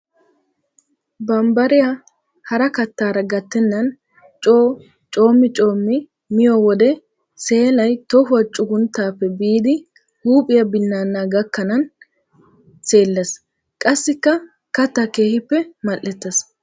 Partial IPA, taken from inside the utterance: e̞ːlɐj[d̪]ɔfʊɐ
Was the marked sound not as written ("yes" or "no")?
yes